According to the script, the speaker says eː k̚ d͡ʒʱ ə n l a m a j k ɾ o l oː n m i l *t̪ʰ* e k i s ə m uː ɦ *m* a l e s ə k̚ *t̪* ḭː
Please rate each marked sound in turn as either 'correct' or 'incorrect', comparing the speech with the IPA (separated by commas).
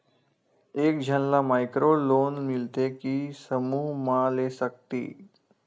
incorrect, correct, correct